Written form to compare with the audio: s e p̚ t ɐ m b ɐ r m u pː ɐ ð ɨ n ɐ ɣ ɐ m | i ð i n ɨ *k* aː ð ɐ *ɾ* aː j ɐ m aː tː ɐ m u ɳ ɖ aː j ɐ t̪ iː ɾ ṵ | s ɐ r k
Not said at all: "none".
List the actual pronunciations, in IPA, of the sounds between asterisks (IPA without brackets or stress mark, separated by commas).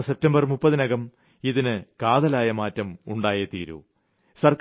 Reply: k, l